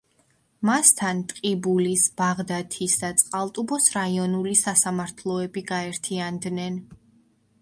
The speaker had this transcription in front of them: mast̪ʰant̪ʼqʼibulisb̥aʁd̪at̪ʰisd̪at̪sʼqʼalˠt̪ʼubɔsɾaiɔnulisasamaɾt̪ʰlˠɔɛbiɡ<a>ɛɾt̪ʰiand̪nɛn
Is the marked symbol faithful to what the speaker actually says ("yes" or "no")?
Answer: yes